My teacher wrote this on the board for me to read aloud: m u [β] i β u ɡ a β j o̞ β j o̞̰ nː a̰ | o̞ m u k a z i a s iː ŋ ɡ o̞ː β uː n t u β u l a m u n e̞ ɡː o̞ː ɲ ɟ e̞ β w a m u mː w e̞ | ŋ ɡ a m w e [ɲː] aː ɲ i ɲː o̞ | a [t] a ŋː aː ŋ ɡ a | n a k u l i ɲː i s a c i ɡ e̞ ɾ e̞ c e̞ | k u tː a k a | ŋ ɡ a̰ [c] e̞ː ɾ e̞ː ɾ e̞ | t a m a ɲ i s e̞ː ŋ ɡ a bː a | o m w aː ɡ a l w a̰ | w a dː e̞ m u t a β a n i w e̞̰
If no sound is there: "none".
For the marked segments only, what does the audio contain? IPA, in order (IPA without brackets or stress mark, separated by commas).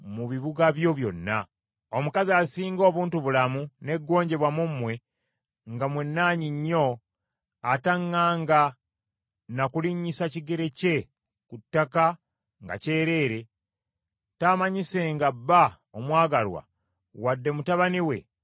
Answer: β, nː, t, c